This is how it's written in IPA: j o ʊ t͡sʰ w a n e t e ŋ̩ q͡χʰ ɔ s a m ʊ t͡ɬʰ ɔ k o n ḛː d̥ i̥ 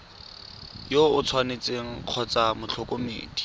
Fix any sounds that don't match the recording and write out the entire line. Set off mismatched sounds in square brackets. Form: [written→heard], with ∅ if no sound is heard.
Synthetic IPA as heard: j o ʊ t͡sʰ w a n e [t→t͡s] e ŋ̩ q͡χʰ ɔ [s→t͡s] a m ʊ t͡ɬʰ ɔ k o [n→m] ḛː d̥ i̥